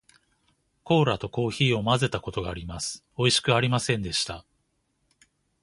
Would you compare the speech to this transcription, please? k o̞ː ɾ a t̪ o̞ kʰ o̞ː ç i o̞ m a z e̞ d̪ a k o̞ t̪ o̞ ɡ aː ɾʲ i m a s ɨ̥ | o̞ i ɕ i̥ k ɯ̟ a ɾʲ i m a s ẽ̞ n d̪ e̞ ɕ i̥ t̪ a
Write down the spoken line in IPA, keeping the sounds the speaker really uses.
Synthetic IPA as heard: k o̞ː ɾ a t̪ o̞ k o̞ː ç iː o̞ m a z e̞ t̪ a k o̞ t̪ o̞ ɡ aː ɾʲ i m a s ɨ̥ | o̞ i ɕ i̥ k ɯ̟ a ɾʲ i m a s ẽ̞ n d̪ e̞ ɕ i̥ t̪ a